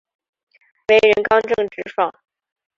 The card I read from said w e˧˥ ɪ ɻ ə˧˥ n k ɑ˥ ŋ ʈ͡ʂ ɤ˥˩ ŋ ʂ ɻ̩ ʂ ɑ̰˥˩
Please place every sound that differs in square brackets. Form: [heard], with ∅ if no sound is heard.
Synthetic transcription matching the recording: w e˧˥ ɪ ɻ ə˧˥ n k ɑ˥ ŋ ʈ͡ʂ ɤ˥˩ ŋ [ʈ͡ʂ] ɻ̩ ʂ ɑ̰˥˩